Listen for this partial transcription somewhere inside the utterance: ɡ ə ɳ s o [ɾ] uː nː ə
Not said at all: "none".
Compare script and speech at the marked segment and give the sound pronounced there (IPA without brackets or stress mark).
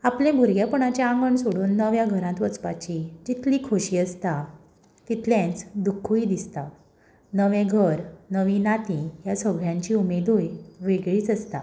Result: ɽ